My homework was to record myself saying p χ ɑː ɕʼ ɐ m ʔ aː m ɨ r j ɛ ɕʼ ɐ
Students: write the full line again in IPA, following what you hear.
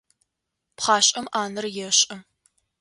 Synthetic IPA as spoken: p χ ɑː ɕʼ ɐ m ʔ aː n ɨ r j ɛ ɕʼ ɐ